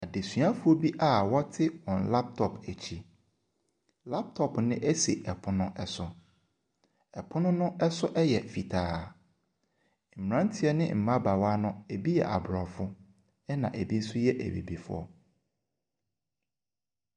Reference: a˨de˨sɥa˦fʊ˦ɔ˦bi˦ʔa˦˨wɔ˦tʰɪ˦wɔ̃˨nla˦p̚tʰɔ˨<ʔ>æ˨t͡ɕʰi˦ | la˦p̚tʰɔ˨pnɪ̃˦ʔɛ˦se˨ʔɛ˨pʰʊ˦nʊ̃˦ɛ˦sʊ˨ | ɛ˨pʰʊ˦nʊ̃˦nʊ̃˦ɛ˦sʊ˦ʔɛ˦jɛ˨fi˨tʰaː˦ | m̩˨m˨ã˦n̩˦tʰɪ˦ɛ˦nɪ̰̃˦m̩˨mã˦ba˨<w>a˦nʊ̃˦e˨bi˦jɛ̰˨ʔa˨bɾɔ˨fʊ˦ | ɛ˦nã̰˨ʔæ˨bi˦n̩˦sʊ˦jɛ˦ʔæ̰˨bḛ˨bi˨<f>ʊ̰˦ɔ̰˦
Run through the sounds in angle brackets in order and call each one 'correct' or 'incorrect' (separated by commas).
incorrect, correct, correct